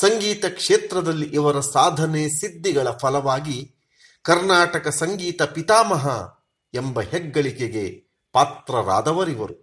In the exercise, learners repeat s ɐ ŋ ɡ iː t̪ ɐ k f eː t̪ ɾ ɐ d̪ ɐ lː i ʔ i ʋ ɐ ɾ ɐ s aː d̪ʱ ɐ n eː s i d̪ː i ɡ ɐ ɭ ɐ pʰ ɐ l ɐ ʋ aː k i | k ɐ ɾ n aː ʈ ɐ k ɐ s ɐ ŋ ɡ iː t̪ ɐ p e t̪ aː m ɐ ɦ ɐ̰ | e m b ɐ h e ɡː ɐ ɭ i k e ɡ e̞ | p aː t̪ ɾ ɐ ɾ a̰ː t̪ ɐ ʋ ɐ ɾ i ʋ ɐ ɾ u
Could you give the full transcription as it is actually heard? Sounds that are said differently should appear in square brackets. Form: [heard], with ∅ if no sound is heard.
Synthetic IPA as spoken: s ɐ ŋ ɡ iː t̪ ɐ k [ʂ] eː t̪ ɾ ɐ d̪ ɐ lː i ʔ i ʋ ɐ ɾ ɐ s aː d̪ʱ ɐ n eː s i d̪ː i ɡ ɐ ɭ ɐ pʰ ɐ l ɐ ʋ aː [ɡ] i | k ɐ ɾ n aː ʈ ɐ k ɐ s ɐ ŋ ɡ iː t̪ ɐ p [i] t̪ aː m ɐ ɦ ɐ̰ | e m b ɐ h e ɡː ɐ ɭ i k e ɡ e̞ | p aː t̪ ɾ ɐ ɾ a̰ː [d̪] ɐ ʋ ɐ ɾ i ʋ ɐ ɾ u